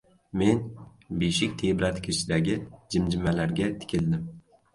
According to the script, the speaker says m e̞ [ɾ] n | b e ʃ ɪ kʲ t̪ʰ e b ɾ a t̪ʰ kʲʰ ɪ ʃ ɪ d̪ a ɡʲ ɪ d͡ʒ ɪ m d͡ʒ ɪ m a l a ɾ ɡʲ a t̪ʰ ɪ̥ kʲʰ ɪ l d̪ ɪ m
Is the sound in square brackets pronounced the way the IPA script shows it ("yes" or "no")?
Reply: no